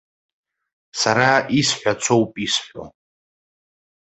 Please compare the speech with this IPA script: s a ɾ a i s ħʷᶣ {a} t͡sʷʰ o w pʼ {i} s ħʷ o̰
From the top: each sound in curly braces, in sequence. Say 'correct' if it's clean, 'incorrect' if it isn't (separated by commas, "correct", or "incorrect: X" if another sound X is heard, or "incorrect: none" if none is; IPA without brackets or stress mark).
correct, correct